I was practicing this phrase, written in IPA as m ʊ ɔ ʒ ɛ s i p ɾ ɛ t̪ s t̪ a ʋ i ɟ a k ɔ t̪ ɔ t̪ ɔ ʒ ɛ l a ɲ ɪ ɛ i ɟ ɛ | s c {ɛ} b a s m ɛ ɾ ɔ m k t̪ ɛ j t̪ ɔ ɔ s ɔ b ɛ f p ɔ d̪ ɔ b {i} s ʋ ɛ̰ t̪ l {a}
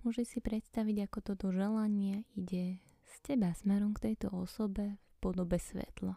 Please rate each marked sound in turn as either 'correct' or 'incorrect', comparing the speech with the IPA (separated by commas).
correct, incorrect, correct